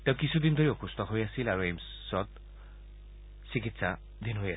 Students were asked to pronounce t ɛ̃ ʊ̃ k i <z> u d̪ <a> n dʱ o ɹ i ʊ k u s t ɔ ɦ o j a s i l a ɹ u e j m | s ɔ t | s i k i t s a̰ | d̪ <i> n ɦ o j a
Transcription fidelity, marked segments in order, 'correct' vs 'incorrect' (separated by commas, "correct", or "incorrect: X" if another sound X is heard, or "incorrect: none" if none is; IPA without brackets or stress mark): incorrect: s, incorrect: i, correct